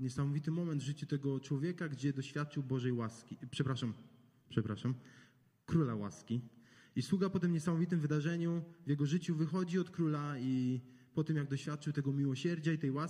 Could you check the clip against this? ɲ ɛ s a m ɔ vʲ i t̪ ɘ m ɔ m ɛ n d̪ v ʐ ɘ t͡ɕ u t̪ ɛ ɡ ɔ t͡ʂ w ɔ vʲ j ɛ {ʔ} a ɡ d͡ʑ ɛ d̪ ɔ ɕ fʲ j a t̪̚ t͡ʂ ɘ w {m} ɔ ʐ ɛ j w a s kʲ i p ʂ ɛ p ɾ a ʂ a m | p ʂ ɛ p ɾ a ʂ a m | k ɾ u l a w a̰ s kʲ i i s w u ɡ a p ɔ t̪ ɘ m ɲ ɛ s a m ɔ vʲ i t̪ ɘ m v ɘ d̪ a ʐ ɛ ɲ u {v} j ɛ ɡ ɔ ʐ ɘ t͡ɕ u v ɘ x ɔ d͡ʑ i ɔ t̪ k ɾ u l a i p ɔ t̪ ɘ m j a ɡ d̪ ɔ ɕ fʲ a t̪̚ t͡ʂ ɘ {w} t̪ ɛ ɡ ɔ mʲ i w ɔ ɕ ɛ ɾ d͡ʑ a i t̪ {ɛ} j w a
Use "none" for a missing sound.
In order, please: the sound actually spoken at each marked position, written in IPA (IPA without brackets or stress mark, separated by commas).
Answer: k, b, v, w, ɛ